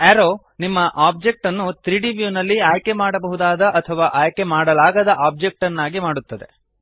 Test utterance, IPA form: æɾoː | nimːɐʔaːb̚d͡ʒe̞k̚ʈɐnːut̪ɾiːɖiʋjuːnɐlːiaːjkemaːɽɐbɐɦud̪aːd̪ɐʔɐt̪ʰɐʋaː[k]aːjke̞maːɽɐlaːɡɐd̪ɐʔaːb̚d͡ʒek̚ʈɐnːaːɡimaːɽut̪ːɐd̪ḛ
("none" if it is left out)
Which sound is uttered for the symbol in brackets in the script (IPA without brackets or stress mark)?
ʔ